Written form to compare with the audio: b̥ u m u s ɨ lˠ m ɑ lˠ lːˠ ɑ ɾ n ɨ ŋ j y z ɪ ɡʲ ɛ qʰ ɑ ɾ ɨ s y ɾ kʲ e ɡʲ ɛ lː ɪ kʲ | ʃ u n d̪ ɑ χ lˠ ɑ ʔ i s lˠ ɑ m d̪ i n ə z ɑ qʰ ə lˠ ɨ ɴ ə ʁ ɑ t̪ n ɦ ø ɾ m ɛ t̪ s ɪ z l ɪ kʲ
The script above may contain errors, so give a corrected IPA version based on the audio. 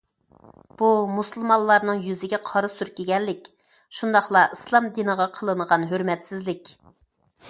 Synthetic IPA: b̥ u m u s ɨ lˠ m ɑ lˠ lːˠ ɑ ɾ n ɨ ŋ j y z ɪ ɡʲ ɛ qʰ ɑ ɾ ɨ s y ɾ kʲ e ɡʲ ɛ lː ɪ kʲ | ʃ u n d̪ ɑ χ lˠ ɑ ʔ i s lˠ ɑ m d̪ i n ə ʁ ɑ qʰ ə lˠ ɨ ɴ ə ʁ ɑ n ɦ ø ɾ m ɛ t̪ s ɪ z l ɪ kʲ